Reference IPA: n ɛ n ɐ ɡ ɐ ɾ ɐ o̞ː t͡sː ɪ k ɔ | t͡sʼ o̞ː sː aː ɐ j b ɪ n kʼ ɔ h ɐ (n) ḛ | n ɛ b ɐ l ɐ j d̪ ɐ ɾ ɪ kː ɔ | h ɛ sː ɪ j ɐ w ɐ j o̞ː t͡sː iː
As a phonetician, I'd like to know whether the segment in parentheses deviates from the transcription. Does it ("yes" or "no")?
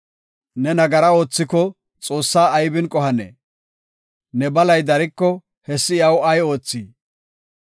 no